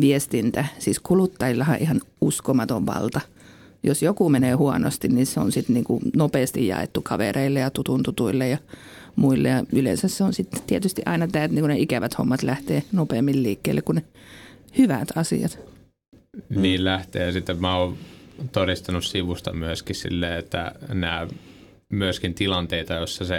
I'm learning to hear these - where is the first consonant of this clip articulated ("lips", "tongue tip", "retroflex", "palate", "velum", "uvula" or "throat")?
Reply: lips